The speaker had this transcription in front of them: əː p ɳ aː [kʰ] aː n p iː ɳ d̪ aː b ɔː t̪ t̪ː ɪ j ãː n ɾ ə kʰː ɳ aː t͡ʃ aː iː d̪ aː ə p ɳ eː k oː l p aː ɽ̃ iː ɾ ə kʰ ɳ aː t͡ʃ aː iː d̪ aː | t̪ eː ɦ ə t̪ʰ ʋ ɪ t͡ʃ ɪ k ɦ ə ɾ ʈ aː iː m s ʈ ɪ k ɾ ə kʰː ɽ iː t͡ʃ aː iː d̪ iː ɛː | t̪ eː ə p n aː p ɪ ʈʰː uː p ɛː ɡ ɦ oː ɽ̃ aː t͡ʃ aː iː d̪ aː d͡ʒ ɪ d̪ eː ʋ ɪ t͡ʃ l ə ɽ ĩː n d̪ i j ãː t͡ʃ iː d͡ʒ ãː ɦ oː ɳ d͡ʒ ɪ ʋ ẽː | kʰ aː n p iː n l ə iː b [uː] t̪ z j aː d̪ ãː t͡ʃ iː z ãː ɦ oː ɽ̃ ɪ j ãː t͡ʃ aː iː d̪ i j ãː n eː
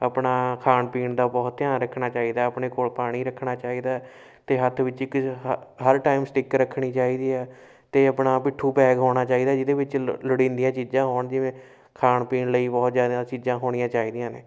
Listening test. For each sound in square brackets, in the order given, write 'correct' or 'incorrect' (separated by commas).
correct, incorrect